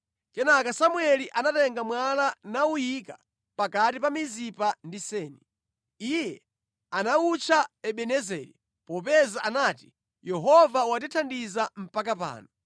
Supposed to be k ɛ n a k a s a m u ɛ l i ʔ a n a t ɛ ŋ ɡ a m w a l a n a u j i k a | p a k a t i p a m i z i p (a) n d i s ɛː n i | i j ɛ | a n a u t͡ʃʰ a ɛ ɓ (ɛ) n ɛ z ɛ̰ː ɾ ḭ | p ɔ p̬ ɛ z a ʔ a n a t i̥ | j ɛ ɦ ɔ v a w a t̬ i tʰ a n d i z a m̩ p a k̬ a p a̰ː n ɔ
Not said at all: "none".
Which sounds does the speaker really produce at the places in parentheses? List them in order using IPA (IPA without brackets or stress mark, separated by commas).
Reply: a, ɛ